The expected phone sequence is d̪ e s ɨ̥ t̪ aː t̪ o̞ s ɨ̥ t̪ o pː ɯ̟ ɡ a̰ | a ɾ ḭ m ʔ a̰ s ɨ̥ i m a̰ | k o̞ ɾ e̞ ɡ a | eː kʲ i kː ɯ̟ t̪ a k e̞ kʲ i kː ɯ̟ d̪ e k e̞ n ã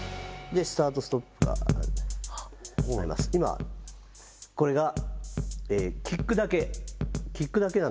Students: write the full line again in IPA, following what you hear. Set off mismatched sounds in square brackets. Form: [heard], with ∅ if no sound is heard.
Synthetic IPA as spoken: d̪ e s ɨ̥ t̪ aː t̪ o̞ s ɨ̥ t̪ o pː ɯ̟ ɡ a̰ | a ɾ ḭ m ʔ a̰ s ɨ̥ i m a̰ | k o̞ ɾ e̞ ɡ a | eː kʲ i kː ɯ̟ [d̪] a k e̞ kʲ i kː ɯ̟ d̪ [a] k e̞ n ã